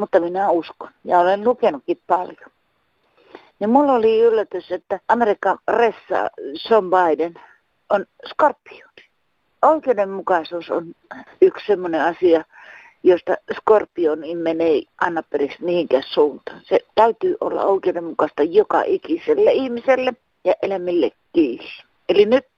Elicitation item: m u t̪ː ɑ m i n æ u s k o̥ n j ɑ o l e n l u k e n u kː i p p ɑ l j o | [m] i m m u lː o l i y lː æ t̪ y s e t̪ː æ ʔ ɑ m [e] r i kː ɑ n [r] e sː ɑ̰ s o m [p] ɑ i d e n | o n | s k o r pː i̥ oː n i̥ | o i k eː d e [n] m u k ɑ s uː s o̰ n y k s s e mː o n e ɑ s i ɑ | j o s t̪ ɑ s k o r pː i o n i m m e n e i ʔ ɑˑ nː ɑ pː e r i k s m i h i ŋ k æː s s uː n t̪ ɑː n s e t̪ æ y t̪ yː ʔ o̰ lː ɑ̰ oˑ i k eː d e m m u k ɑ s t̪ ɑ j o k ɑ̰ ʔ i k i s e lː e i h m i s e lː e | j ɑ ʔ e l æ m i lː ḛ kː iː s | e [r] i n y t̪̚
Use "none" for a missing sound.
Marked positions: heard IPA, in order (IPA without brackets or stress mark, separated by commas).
n, e, r, b, m, l